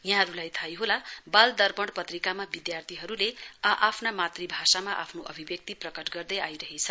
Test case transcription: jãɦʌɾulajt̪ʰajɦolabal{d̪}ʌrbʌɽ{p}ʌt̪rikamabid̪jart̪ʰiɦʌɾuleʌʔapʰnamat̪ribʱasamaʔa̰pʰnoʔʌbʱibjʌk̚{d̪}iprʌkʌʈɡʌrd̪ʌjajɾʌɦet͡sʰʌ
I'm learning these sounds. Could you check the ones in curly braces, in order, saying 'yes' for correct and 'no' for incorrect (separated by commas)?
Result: yes, yes, no